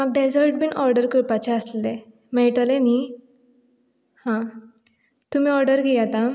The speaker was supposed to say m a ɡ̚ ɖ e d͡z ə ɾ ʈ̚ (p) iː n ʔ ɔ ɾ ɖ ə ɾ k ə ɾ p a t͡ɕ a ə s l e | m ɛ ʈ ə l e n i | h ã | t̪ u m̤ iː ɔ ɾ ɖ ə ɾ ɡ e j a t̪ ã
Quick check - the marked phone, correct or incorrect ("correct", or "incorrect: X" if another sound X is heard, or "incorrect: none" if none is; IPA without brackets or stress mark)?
incorrect: b